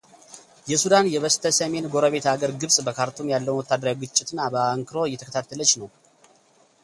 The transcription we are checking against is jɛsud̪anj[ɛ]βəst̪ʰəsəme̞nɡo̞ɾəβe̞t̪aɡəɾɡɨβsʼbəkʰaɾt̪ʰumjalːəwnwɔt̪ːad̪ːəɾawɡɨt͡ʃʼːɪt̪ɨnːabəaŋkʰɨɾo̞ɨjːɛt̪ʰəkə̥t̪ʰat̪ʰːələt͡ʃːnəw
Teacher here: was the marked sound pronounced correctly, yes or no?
yes